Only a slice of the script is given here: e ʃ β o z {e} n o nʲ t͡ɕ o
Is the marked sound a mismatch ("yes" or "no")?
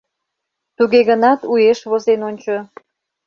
no